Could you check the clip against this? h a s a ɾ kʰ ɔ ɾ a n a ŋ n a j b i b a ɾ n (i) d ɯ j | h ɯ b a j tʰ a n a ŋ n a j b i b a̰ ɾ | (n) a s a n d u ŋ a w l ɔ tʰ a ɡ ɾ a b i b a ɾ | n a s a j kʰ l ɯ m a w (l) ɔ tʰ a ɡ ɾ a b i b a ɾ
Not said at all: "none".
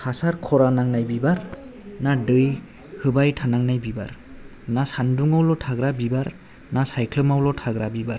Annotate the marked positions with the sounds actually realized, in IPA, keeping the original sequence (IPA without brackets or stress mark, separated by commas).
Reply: a, n, l